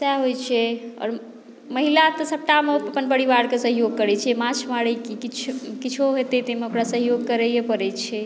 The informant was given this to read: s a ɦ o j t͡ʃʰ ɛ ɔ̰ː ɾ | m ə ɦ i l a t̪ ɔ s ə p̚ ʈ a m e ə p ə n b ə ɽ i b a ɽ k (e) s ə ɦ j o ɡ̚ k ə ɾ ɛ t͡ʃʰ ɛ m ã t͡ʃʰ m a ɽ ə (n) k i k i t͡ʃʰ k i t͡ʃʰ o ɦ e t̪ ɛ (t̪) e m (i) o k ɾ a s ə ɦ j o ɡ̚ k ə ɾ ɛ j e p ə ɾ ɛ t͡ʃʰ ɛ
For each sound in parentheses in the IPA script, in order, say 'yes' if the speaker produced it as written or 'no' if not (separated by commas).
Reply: yes, no, yes, no